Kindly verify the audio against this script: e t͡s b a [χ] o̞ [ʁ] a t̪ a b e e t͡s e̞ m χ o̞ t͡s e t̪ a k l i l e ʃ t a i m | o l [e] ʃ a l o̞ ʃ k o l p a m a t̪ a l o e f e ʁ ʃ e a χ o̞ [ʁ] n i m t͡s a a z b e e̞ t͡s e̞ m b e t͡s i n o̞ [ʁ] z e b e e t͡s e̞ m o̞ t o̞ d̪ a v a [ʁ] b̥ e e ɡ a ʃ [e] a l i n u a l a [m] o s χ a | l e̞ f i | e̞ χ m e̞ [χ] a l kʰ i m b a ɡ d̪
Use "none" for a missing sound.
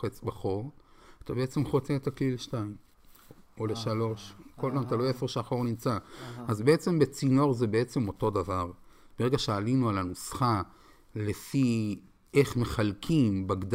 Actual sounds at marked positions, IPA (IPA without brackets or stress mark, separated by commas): χ, ʁ, e, ʁ, ʁ, ʁ, e, n, χ